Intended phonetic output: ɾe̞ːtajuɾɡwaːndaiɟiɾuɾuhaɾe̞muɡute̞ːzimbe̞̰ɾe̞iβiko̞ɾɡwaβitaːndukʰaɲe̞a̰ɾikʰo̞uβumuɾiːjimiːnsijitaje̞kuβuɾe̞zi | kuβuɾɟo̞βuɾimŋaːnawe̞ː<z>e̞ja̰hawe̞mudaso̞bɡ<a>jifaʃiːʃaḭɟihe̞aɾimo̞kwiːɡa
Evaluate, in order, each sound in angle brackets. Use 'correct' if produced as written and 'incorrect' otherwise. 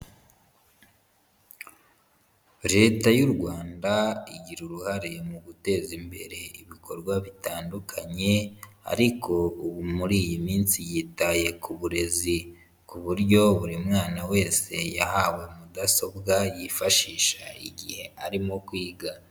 incorrect: s, correct

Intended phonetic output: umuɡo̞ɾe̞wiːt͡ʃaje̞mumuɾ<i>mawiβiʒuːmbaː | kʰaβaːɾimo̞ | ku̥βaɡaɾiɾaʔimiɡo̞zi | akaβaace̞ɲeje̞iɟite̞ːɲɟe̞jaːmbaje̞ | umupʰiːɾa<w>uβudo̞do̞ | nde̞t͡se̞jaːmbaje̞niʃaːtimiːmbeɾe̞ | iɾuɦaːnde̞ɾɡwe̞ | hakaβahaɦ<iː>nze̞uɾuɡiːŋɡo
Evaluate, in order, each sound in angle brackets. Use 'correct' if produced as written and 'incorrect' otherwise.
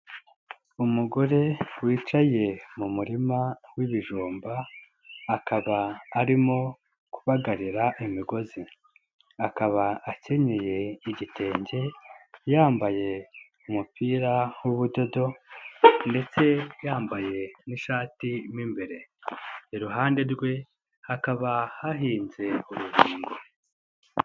correct, correct, correct

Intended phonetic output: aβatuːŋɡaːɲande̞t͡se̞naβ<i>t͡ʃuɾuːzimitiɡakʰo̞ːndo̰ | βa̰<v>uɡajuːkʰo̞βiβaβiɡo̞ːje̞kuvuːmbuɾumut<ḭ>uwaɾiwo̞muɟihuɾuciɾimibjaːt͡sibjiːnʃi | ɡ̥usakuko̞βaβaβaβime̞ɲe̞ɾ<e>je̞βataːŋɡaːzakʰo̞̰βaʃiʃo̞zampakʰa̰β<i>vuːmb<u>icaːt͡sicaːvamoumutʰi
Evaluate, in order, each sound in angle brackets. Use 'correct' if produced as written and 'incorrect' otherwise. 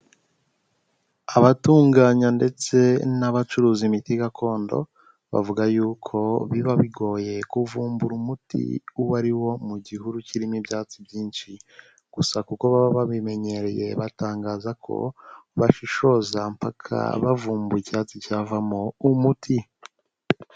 incorrect: a, correct, correct, correct, incorrect: a, correct

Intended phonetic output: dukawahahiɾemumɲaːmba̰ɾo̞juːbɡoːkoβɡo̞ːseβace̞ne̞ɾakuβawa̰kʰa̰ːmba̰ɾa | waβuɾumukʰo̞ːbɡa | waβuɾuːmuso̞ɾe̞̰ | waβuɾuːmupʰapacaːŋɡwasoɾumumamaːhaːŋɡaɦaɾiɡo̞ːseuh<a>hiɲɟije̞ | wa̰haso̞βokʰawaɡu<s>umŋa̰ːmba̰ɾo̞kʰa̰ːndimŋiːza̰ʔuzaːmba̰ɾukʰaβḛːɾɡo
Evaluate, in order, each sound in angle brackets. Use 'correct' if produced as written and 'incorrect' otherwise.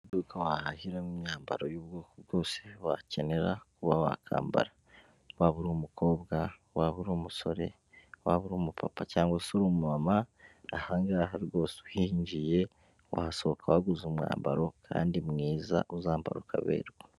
incorrect: i, incorrect: z

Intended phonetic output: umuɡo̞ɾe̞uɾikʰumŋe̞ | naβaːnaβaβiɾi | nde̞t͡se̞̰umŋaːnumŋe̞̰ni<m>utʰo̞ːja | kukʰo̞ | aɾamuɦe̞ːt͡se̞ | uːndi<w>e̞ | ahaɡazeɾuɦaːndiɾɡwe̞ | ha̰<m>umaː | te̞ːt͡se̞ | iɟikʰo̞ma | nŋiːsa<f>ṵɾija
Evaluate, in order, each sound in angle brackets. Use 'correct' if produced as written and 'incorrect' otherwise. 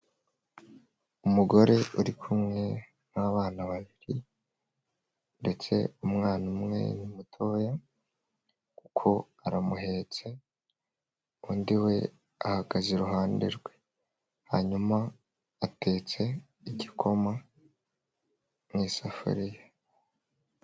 correct, correct, incorrect: ɲ, correct

